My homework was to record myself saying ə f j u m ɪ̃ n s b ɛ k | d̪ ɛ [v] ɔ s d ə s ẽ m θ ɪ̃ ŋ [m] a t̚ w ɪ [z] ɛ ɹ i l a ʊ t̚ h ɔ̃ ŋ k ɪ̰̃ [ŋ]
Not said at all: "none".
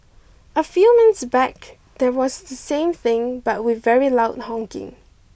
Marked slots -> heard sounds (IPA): w, b, v, ŋ

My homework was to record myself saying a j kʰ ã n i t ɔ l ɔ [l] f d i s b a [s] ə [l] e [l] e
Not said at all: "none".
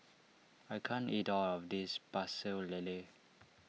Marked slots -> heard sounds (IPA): none, s, l, l

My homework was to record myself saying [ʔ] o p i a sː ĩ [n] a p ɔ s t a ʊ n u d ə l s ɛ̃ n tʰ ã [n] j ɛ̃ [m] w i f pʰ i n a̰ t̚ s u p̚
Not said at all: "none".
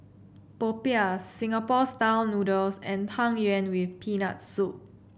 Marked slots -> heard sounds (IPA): p, ŋ, ŋ, n

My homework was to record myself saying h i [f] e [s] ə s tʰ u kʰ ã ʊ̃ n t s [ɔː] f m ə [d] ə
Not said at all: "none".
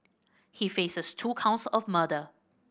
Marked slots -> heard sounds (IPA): f, s, ɔ, d

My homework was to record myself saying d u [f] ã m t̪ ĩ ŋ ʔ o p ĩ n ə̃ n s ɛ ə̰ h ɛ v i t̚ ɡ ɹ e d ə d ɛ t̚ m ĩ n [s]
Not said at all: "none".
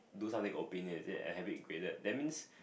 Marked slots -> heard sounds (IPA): s, s

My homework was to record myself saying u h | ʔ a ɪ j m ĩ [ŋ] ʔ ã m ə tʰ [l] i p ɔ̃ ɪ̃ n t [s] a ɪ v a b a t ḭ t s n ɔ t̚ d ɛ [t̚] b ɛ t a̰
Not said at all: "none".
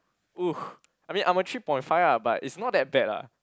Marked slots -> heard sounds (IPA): n, ɹ, f, t̚

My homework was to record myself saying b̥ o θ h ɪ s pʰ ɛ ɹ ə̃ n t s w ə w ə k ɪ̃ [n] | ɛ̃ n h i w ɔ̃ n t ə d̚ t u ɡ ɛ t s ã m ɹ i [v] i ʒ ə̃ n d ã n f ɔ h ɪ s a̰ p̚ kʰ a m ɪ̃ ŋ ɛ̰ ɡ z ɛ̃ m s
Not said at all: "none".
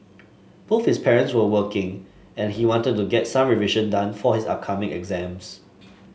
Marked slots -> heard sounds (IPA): ŋ, v

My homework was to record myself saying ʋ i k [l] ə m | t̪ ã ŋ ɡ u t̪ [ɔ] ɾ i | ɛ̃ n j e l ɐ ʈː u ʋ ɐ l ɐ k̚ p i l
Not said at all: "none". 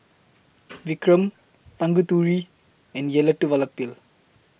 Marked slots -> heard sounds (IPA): ɾ, u

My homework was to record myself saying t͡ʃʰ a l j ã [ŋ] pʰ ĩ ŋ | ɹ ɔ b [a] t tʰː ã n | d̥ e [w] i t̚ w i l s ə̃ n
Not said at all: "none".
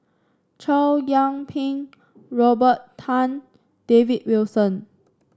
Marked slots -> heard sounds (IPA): ŋ, ə, v

